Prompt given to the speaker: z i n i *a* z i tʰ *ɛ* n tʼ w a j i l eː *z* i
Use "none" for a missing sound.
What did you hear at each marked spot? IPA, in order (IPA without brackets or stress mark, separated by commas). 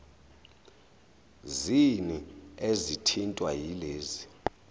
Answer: e, i, z